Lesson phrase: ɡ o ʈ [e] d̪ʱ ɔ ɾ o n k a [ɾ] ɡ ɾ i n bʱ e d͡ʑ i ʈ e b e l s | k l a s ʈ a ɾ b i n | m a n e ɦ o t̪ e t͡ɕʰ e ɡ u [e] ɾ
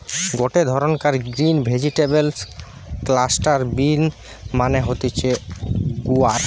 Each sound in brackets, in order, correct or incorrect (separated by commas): correct, correct, incorrect